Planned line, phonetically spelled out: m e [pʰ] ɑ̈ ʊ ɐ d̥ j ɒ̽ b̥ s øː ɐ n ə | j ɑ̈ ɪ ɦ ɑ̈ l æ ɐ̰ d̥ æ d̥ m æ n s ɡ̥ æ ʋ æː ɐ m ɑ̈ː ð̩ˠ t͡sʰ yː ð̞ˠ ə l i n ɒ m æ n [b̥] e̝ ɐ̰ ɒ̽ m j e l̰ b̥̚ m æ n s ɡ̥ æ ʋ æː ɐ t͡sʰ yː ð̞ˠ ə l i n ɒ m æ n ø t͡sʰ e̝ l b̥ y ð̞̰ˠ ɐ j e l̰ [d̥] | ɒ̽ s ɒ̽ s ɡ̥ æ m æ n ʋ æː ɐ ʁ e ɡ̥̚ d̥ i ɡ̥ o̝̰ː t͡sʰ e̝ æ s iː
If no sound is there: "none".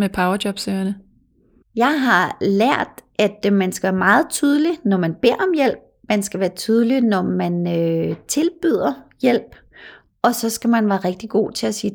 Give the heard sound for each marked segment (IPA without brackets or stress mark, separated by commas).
pʰ, b̥, b̥